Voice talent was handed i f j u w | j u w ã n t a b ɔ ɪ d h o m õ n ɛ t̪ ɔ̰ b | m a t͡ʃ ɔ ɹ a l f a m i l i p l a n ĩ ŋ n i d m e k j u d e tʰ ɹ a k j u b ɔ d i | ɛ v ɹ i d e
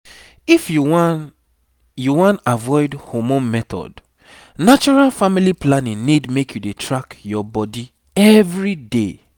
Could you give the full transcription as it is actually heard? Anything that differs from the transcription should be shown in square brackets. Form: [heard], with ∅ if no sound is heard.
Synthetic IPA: i f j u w | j u w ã n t a [v] ɔ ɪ d h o m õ [m] ɛ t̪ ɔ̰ [d] | [n] a t͡ʃ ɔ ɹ a l f a m i l i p l a n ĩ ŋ n i d m e k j u d e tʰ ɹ a k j [ɔ] b ɔ d i | ɛ v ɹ i d e